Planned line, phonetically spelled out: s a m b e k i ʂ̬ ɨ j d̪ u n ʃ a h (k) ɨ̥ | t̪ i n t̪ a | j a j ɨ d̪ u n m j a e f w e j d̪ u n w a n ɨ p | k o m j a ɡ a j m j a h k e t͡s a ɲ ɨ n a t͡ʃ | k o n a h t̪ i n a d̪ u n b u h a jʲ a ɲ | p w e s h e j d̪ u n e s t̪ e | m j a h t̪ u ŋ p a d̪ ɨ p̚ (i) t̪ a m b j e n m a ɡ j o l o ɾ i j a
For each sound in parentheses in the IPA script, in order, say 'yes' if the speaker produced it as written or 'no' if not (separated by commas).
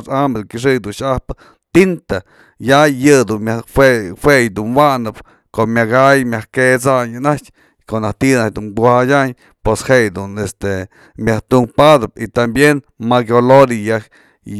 no, yes